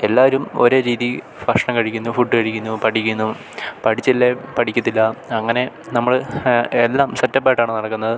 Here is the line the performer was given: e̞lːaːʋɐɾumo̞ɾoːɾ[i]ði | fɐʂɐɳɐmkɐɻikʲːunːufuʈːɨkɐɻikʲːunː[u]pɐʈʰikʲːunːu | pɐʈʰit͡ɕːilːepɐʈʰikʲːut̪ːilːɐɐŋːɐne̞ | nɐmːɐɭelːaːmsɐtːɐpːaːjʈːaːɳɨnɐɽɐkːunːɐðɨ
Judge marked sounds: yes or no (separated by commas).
no, yes